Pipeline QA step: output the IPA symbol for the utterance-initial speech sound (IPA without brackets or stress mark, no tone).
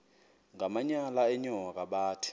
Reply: ŋ